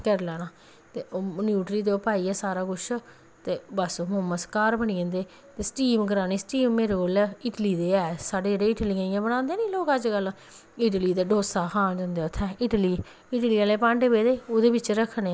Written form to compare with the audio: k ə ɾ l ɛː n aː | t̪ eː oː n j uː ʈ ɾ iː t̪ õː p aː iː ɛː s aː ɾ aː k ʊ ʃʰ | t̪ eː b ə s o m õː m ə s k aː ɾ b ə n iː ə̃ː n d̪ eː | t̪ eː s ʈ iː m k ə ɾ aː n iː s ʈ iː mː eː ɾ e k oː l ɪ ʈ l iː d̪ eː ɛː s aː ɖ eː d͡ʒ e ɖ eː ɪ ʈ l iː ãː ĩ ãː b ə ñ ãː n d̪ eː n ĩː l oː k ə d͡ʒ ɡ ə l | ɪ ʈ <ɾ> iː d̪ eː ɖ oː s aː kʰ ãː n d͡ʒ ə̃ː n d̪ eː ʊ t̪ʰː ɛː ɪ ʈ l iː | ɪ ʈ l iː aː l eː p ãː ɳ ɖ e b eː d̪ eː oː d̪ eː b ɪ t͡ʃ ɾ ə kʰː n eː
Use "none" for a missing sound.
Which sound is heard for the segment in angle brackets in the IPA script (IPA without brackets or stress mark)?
l